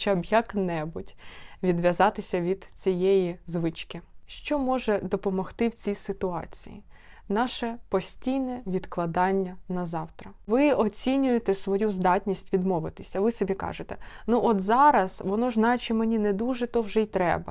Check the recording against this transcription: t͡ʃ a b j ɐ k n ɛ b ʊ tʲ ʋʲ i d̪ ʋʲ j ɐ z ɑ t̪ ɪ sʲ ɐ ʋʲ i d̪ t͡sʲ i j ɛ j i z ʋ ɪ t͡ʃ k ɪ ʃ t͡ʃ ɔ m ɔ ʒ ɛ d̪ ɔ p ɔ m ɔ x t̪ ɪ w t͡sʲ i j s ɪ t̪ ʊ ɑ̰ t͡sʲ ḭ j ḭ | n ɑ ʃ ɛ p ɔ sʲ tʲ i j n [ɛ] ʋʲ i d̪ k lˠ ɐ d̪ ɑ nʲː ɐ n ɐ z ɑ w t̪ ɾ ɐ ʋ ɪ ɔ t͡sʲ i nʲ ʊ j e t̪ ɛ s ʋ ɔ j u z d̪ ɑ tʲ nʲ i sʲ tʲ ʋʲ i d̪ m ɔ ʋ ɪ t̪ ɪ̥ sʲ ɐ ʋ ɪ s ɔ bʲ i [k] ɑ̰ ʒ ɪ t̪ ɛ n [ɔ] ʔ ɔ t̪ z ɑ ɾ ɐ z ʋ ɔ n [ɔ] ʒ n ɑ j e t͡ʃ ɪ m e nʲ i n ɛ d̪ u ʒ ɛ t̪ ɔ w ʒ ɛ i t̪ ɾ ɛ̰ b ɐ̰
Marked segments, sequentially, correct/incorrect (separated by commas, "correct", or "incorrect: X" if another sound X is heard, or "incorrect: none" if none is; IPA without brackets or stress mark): correct, correct, incorrect: u, correct